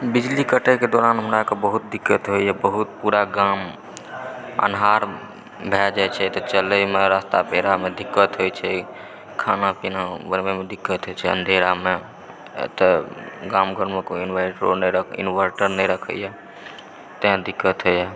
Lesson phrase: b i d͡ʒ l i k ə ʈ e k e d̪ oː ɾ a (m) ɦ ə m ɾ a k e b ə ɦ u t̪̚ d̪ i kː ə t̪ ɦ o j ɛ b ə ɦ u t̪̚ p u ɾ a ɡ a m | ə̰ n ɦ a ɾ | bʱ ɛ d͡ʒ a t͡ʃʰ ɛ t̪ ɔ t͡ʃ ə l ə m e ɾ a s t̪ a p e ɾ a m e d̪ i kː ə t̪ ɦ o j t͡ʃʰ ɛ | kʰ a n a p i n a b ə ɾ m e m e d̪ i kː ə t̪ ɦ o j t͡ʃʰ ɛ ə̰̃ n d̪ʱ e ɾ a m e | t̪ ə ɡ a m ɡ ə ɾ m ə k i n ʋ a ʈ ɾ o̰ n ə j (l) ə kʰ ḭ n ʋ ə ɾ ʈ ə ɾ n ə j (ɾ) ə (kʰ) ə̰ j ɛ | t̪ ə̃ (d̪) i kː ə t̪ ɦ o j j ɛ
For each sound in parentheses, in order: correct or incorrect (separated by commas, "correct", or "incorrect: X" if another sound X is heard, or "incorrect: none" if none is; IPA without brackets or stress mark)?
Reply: incorrect: n, incorrect: ɾ, correct, correct, correct